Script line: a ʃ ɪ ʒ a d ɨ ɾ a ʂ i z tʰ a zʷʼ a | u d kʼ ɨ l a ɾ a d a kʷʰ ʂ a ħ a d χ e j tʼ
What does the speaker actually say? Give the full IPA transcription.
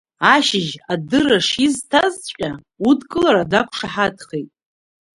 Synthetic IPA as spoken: a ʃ ɪ ʒ a d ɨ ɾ a ʂ i z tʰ a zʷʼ a | u d kʼ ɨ l a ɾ a d a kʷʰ ʂ a ħ a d χ e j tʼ